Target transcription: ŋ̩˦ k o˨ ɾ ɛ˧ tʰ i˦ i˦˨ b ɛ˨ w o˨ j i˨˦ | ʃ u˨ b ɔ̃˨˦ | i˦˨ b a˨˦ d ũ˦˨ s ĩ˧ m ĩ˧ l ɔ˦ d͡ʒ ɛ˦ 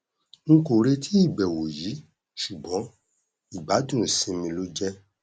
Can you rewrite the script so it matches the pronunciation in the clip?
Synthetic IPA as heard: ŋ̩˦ k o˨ ɾ e˧ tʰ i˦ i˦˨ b ɛ˨ w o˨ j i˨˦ | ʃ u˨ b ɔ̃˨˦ | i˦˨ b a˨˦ d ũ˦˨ s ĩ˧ m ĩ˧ l o˦ d͡ʒ ɛ˦

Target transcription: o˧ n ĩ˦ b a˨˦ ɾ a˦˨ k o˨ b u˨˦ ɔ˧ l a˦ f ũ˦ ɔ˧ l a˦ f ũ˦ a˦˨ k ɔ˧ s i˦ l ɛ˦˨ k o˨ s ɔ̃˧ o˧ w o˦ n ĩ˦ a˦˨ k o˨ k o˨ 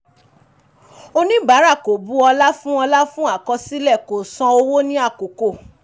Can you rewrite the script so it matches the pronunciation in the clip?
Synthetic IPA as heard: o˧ n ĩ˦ b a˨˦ ɾ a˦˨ k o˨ b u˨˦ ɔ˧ l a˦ f ũ˦ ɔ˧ l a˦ f ũ˦ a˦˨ k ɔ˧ s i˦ l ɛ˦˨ k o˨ s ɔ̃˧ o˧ w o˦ n ĩ˦ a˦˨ k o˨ k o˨

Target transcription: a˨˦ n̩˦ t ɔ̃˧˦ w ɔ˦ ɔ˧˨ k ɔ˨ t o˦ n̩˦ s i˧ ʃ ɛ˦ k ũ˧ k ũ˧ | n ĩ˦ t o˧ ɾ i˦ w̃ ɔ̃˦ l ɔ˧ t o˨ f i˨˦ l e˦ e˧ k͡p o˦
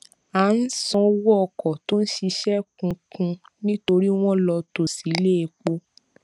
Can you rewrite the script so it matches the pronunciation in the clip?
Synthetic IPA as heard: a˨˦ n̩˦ s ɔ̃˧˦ w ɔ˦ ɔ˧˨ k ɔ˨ t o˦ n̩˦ ʃ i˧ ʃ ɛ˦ k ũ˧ k ũ˧ | n ĩ˦ t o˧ ɾ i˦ w̃ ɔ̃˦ l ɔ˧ t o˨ s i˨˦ l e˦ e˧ k͡p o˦

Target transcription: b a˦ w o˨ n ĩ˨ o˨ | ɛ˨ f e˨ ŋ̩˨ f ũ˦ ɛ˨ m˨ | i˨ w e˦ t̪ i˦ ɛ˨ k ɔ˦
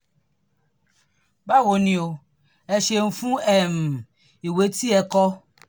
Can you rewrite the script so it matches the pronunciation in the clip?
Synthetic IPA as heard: b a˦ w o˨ n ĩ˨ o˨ | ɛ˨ ʃ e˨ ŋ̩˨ f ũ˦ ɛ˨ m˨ | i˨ w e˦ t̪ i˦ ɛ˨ k ɔ˦

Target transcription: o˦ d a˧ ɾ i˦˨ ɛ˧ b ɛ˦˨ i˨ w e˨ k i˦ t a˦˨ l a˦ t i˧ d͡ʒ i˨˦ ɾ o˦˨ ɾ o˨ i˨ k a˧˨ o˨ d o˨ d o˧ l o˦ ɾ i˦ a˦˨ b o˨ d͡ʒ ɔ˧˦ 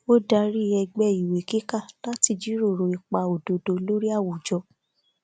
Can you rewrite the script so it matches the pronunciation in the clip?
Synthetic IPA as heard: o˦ d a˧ ɾ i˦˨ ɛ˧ ɡ͡b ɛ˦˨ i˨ w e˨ k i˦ k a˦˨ l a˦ t i˧ d͡ʒ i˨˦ ɾ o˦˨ ɾ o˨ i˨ k͡p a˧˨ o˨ d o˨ d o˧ l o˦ ɾ i˦ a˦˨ w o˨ d͡ʒ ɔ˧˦

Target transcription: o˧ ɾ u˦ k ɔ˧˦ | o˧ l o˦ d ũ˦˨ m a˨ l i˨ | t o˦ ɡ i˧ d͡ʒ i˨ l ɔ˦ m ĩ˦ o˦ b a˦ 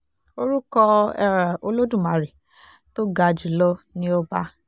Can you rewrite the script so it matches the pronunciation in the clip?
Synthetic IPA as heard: o˧ ɾ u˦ k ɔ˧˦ | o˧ l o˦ d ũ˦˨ m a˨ ɾ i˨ | t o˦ ɡ a˧ d͡ʒ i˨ l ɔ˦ n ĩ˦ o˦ b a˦

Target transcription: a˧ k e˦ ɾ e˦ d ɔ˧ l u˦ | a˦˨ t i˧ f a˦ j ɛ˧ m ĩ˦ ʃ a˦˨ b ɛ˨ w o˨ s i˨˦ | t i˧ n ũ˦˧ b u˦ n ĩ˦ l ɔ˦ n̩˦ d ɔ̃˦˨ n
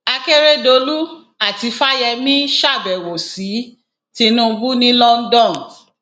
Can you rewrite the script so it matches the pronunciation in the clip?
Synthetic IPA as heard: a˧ k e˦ ɾ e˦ d o˧ l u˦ | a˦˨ t i˧ f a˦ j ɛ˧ m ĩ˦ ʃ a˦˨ b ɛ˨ w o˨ s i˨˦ | t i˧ n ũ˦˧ b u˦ n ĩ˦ l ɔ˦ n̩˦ d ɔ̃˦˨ n

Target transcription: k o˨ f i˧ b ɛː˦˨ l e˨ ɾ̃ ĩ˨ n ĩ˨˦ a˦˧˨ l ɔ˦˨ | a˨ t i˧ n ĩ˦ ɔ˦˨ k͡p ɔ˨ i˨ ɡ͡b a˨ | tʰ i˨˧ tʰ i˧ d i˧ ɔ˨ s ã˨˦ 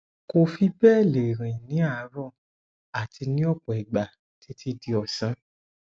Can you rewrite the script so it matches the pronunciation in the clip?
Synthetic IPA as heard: k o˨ f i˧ b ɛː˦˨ l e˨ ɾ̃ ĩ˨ n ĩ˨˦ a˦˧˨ ɾ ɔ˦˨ | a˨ t i˧ n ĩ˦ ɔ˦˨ k͡p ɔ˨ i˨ ɡ͡b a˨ | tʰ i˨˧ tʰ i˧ d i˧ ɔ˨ s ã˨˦

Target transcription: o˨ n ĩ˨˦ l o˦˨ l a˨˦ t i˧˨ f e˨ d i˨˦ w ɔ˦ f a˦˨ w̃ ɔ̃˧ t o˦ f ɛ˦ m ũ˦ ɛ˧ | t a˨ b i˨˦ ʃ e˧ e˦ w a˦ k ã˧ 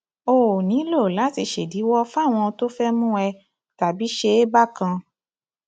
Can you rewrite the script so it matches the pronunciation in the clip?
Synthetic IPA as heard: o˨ n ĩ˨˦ l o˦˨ l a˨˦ t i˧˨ ʃ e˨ d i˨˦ w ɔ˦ f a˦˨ w̃ ɔ̃˧ t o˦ f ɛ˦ m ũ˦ ɛ˧ | t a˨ b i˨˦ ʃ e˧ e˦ b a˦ k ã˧

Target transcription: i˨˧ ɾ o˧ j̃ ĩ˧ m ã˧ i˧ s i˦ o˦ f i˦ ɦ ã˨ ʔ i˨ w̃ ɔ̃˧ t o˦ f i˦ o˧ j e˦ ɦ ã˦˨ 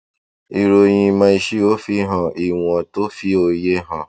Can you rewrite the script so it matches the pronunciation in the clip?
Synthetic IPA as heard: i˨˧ ɾ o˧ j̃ ĩ˧ m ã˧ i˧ ʃ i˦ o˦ f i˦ ɦ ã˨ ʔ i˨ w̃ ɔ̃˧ t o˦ f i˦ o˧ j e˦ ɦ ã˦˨

